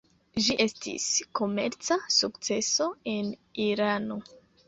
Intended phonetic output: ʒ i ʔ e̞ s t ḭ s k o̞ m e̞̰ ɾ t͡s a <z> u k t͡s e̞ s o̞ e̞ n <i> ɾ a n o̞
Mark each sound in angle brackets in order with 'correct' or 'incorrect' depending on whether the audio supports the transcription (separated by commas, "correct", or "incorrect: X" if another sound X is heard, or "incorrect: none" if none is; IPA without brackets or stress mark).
incorrect: s, correct